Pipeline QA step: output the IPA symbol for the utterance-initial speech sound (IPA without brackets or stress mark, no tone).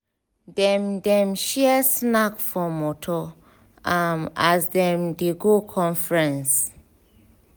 d